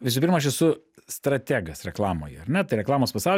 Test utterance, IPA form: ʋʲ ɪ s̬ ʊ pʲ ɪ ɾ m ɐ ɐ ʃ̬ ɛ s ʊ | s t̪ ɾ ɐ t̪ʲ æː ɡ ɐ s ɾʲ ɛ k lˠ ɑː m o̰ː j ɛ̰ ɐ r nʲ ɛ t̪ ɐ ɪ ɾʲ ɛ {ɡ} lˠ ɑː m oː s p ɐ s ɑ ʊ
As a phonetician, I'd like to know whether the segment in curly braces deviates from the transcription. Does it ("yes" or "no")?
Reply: yes